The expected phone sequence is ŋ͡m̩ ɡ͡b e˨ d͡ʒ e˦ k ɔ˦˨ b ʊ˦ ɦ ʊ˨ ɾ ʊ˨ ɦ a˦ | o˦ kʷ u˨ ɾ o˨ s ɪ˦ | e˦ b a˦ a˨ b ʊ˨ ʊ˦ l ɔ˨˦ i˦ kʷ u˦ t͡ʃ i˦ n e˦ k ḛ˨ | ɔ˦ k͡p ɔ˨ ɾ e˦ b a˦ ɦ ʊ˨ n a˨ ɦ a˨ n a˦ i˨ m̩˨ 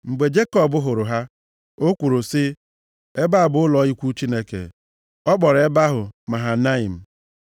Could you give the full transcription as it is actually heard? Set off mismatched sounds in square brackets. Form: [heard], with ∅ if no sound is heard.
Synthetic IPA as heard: ŋ͡m̩ ɡ͡b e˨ d͡ʒ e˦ k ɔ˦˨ b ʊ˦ ɦ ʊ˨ ɾ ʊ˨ ɦ a˦ | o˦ kʷ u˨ ɾ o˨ s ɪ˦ | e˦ b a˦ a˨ b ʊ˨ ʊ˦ l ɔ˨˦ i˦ kʷ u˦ t͡ʃ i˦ n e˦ k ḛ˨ | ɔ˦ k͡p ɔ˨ ɾ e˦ b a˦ ɦ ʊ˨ [m] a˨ ɦ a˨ n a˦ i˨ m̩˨